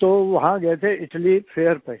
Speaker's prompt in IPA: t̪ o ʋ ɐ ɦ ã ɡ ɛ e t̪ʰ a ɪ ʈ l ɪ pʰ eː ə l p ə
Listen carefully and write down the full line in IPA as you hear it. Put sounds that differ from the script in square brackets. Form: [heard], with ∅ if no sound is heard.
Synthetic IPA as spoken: t̪ o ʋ ɐ ɦ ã ɡ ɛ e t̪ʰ [e] ɪ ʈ l [i] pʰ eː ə [ɾ] p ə